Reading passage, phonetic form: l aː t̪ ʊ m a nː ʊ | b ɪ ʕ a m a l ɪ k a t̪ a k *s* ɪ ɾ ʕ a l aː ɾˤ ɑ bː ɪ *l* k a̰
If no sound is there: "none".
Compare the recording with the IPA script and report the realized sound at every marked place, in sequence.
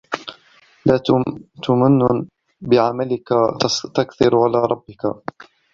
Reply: θ, none

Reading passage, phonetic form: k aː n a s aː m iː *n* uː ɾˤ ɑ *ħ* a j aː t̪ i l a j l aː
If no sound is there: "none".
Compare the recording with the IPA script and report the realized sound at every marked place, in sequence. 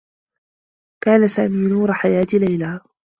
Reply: n, ħ

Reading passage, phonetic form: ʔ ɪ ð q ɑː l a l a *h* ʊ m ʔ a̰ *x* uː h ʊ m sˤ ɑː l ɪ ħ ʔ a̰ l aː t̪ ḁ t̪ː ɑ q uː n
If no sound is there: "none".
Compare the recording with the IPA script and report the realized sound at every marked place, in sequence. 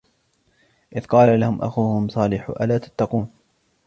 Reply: h, x

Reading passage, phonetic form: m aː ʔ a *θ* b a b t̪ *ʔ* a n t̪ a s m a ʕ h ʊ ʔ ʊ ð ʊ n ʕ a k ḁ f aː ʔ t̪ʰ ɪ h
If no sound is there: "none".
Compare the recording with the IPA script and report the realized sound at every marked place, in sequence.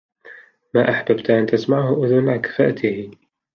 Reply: ħ, ʔ

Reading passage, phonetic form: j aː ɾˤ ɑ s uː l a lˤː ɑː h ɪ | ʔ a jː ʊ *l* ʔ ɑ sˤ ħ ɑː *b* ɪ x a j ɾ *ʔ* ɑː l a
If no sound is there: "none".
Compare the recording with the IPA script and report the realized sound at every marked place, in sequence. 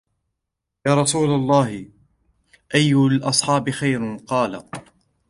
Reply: l, b, q

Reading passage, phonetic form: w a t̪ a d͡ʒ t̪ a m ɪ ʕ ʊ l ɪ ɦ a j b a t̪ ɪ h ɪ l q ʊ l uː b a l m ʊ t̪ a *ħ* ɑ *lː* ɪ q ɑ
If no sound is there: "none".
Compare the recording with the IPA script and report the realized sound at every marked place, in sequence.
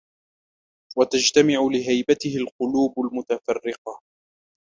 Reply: f, rː

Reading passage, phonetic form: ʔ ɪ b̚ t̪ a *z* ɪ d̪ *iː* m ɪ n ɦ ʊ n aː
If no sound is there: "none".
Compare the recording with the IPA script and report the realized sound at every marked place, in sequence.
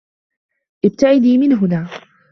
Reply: ʕ, iː

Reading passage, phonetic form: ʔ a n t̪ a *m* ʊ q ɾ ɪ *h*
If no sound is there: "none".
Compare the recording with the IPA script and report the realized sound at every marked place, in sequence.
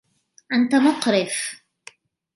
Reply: m, f

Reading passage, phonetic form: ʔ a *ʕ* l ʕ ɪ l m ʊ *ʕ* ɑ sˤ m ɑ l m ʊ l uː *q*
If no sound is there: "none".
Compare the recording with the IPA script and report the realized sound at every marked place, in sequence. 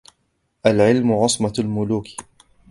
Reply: none, ʕ, k

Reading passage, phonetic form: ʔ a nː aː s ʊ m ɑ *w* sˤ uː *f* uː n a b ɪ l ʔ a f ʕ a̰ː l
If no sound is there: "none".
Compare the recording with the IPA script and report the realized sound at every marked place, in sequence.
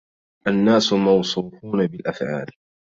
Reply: w, f

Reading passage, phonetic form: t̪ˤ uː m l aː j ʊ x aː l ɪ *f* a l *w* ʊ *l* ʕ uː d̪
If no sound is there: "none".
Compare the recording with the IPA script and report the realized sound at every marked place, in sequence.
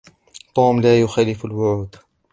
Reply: f, w, none

